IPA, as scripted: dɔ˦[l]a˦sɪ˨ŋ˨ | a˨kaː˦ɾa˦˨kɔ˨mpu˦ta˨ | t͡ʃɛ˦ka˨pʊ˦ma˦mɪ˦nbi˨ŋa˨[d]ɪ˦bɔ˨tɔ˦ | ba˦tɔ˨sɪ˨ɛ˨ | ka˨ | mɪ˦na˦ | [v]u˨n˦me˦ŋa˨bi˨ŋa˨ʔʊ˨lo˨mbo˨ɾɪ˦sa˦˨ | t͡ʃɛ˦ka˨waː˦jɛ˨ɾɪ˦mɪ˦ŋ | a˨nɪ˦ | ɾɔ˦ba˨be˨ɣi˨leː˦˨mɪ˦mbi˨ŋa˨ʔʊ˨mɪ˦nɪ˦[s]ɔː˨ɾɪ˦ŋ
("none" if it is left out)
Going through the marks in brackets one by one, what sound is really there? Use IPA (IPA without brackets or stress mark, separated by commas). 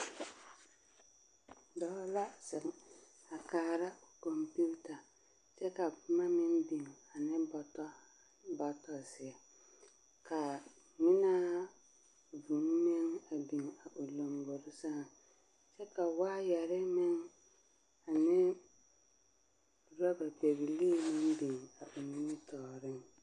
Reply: l, n, v, t